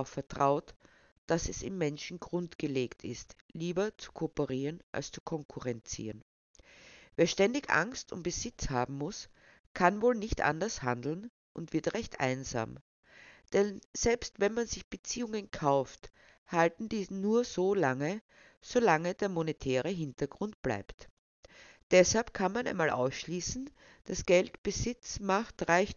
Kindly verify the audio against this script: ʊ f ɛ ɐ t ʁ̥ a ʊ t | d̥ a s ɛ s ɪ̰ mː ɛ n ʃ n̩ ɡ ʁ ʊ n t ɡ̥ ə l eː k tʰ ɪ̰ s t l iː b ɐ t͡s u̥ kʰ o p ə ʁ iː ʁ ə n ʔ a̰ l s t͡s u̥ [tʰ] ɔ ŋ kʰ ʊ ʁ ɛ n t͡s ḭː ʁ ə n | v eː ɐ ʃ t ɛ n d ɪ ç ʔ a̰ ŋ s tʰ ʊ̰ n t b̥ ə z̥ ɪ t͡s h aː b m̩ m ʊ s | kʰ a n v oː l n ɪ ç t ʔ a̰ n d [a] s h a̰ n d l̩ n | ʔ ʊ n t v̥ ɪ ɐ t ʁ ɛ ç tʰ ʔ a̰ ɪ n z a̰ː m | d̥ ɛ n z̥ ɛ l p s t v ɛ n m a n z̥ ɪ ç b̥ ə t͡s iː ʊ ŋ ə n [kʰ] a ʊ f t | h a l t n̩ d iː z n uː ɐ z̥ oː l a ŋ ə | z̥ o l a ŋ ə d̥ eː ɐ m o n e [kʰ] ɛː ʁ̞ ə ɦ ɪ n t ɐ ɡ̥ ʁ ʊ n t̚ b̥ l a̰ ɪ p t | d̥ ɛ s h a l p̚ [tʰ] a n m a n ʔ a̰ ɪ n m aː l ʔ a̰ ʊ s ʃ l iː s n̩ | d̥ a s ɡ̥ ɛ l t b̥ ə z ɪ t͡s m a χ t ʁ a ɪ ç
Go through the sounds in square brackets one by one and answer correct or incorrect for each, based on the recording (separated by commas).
incorrect, incorrect, correct, incorrect, incorrect